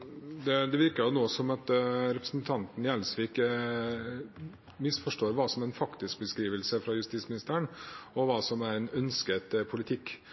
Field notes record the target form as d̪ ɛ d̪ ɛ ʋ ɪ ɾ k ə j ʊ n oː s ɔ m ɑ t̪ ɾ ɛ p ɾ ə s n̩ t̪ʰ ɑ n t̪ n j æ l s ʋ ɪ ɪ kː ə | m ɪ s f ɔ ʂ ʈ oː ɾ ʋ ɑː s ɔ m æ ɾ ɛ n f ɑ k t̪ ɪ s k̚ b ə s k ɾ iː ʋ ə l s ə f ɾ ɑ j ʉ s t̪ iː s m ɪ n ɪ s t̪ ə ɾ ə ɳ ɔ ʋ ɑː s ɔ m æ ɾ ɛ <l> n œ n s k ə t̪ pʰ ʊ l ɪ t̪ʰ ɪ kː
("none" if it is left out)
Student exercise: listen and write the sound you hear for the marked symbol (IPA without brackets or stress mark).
none